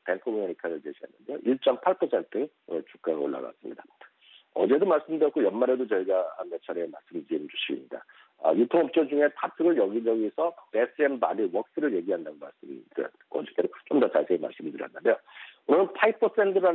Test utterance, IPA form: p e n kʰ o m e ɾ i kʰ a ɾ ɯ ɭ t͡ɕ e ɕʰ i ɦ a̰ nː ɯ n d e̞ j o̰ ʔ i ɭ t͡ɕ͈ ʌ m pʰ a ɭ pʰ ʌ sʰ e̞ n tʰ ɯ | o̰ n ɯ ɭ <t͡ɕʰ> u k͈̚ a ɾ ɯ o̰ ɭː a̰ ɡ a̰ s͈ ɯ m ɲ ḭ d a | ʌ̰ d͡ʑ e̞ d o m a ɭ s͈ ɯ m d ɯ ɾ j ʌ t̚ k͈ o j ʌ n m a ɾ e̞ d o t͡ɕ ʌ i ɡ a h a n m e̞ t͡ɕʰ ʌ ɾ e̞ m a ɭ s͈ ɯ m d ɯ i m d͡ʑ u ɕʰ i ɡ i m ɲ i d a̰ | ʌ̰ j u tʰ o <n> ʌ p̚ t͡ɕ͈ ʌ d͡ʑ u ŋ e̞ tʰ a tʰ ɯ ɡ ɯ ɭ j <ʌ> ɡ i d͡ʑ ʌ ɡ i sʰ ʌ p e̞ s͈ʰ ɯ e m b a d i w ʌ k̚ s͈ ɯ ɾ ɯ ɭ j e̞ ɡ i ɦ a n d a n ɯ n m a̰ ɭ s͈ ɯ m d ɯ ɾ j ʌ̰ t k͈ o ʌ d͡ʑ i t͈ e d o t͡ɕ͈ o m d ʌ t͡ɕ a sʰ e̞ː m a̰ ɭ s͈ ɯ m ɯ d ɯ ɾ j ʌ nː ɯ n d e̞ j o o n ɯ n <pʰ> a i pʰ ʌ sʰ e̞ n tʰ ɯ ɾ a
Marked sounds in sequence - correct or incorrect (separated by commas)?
incorrect, incorrect, correct, correct